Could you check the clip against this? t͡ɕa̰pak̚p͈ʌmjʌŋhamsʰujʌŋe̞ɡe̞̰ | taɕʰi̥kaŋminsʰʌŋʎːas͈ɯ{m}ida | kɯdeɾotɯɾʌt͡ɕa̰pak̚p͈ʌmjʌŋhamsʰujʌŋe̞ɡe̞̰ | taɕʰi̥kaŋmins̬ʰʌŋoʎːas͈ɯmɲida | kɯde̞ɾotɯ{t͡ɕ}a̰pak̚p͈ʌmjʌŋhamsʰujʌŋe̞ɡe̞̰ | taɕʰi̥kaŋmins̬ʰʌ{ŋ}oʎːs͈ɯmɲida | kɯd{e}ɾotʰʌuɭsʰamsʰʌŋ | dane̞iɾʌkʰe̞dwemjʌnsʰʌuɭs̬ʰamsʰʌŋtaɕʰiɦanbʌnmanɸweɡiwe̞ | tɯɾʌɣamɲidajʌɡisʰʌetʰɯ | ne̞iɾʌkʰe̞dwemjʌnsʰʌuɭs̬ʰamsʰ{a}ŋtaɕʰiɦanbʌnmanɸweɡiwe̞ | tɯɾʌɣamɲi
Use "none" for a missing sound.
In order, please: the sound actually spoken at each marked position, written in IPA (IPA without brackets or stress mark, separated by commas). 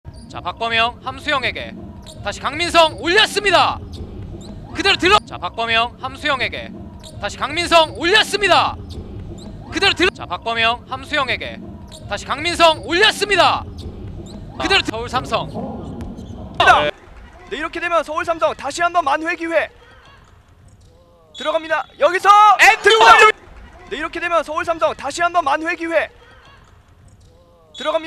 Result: ɲ, t͡ɕ, ŋ, e, ʌ